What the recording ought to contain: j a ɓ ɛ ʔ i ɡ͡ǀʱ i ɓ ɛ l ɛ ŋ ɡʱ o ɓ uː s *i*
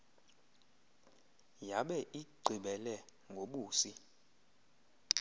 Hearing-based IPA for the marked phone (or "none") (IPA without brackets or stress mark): i